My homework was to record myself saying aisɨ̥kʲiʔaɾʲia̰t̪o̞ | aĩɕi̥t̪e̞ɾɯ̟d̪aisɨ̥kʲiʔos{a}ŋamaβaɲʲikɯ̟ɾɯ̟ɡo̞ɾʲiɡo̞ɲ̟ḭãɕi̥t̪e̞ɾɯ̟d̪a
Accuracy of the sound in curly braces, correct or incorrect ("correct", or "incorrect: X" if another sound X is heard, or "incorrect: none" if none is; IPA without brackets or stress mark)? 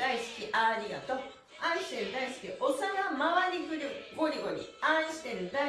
correct